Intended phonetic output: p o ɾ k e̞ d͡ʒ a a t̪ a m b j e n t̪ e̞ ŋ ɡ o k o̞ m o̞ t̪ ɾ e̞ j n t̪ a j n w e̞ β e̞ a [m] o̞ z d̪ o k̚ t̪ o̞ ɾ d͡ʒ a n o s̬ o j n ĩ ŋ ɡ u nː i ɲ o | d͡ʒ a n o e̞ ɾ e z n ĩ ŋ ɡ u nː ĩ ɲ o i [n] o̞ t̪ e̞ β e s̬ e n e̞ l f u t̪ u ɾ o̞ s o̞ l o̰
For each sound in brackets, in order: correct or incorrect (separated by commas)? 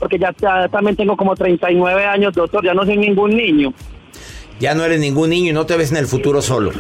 incorrect, correct